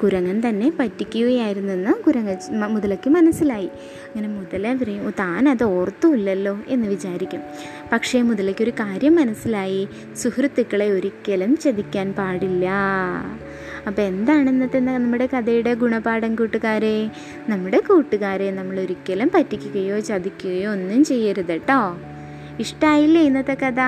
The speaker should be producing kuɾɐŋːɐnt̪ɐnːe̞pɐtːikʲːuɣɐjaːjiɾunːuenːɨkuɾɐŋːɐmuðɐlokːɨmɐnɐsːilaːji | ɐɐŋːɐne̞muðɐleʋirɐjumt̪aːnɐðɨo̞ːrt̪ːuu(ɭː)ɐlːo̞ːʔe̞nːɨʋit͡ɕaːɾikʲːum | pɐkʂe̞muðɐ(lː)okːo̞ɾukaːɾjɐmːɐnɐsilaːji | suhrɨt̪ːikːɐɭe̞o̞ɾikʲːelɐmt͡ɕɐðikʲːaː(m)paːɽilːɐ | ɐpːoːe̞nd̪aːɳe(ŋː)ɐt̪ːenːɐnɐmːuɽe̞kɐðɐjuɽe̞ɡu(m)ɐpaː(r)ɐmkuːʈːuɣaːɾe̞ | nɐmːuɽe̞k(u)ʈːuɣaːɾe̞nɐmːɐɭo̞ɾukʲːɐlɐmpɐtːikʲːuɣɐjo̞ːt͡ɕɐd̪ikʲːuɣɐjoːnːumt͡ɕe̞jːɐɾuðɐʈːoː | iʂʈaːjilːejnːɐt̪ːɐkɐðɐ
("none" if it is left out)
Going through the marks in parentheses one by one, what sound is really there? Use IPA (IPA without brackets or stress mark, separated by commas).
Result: lː, l, n, nː, ɳ, ɽ, uː